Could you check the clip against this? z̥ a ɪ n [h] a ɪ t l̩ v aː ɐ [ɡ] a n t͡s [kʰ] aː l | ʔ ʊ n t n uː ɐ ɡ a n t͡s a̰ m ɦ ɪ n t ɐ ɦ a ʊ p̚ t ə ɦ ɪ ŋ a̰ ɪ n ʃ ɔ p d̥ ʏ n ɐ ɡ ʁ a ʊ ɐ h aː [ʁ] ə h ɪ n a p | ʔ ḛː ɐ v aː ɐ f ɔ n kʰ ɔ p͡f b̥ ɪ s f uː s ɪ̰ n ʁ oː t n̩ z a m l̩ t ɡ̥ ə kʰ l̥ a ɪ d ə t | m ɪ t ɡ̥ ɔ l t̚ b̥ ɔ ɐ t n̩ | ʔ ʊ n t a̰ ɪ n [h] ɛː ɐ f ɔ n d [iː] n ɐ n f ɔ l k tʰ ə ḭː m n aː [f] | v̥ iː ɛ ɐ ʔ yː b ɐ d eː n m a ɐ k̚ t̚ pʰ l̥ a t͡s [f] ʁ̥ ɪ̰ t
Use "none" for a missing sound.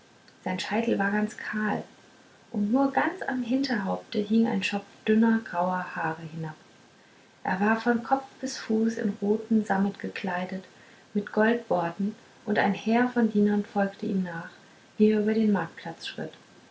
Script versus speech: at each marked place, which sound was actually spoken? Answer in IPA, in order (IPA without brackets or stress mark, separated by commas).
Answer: ʃ, ɡ, kʰ, ʁ, h, iː, χ, ʃ